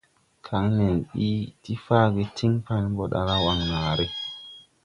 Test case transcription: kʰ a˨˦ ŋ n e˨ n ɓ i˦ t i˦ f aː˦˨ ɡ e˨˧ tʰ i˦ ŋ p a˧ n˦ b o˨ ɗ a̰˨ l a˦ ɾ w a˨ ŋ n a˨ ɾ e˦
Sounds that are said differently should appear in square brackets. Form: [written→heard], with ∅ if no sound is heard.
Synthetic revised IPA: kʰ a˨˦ ŋ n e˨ n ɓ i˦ t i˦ f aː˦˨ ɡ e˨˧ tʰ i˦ ŋ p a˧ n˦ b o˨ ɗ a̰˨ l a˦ [ɾ→∅] w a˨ ŋ n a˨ ɾ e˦